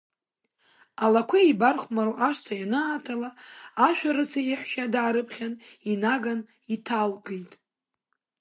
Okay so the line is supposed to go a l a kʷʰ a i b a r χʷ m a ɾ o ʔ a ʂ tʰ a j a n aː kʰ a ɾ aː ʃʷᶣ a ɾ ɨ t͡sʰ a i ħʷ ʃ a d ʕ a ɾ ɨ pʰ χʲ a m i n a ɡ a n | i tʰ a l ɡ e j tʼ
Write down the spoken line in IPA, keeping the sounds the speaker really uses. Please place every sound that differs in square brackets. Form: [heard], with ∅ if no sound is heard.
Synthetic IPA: a l a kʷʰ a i b a r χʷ m a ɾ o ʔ a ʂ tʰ a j a n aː [tʰ] a [l] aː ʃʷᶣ a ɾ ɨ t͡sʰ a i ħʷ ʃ a d ʕ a ɾ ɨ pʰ χʲ a [n] i n a ɡ a n | i tʰ a l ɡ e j tʼ

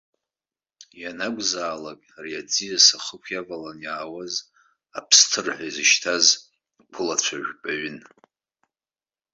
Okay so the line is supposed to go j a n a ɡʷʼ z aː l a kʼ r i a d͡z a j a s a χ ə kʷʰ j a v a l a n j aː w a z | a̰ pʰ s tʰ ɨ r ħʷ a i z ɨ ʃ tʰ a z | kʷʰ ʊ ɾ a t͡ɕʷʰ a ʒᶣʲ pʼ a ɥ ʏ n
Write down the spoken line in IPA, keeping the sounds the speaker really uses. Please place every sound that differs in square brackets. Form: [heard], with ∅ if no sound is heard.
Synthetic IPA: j a n a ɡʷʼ z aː l a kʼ r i a d͡z [i] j a s a χ ə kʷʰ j a v a l a n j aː w a z | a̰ pʰ s tʰ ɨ r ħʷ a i z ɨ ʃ tʰ a z | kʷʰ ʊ [l] a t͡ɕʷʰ a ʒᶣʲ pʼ a ɥ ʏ n

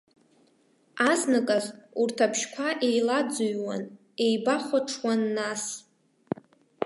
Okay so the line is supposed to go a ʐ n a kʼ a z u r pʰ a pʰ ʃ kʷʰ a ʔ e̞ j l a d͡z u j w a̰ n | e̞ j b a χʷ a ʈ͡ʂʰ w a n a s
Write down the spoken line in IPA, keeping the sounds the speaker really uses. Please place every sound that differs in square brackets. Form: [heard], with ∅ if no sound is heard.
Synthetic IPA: a [z] n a kʼ a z u r [tʰ] a pʰ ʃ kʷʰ a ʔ e̞ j l a d͡z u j w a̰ n | e̞ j b a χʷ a ʈ͡ʂʰ w a [nː] a s

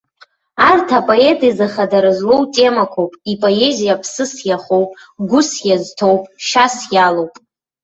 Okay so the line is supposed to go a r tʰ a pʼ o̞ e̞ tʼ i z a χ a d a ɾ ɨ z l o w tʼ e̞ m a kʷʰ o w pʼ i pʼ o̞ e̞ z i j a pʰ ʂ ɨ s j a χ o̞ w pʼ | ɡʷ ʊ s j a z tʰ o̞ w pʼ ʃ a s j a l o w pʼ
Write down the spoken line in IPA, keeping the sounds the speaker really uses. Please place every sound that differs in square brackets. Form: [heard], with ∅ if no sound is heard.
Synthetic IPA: a r tʰ a pʼ o̞ e̞ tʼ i z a χ a d a ɾ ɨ z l o w tʼ e̞ m a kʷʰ o w pʼ i pʼ o̞ e̞ z i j a pʰ [s] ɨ s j a χ o̞ w pʼ | ɡʷ ʊ s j a z tʰ o̞ w pʼ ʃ a s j a l o w pʼ

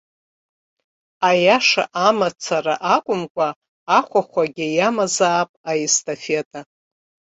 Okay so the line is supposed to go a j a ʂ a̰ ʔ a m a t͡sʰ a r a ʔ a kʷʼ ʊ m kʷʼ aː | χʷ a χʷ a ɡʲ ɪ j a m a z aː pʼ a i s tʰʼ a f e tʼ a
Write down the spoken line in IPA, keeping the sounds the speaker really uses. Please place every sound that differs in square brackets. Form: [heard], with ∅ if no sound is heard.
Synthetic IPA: a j a ʂ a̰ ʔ a m a t͡sʰ a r a ʔ a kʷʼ ʊ m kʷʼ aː | χʷ a χʷ a ɡʲ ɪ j a m a z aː pʼ a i s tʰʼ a f e tʼ a

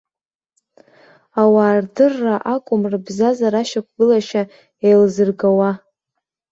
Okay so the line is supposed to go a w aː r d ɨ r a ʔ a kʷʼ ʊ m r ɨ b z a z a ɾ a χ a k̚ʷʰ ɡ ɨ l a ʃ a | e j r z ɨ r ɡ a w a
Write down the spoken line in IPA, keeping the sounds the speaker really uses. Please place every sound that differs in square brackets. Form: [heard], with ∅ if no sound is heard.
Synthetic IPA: a w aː r d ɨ [rː] a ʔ a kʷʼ ʊ m r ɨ b z a z a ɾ a [ʃ] a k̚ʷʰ ɡ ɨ l a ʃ a | e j [l] z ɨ r ɡ a w a

